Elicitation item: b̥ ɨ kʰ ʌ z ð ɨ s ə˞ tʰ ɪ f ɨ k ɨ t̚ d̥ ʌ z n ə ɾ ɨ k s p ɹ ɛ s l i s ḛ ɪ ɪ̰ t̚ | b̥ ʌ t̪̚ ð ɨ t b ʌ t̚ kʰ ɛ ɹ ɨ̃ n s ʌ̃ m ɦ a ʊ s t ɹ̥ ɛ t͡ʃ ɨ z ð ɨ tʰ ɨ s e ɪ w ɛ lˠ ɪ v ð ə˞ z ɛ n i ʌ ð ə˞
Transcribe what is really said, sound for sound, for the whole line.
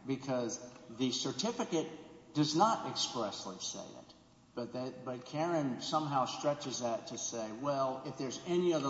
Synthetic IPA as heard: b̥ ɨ kʰ ʌ z ð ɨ s ə˞ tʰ ɪ f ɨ k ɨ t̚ d̥ ʌ z n ə ɾ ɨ k s p ɹ ɛ s l i s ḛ ɪ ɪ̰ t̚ | b̥ ʌ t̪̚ ð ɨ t b ʌ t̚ kʰ ɛ ɹ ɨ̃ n s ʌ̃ m ɦ a ʊ s t ɹ̥ ɛ t͡ʃ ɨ z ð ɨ tʰ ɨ s e ɪ w ɛ lˠ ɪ f ð ə˞ z ɛ n i ʌ ð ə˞